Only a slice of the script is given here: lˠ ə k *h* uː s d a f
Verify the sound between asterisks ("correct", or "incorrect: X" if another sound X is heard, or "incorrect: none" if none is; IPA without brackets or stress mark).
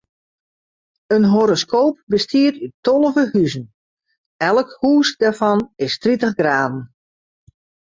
correct